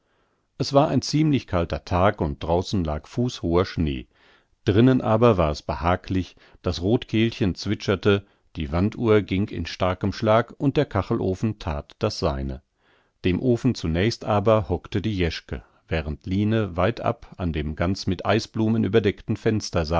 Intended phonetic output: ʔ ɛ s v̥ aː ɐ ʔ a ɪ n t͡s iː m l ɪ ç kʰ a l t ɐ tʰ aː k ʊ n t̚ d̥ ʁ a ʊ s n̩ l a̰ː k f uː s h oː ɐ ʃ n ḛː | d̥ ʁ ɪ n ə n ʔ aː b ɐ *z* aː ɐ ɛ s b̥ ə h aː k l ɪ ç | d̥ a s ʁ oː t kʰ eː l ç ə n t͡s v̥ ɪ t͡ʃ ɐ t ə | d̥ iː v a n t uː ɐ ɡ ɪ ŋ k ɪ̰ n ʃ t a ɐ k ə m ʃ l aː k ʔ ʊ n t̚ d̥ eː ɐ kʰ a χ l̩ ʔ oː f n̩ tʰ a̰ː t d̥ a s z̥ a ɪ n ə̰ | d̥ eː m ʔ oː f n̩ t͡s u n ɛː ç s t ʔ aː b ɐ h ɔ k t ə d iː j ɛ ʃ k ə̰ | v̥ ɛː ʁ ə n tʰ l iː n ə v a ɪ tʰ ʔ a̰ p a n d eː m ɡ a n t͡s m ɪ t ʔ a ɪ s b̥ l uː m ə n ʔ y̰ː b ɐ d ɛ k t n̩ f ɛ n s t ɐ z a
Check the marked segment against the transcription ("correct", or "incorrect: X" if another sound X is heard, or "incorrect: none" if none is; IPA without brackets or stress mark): incorrect: v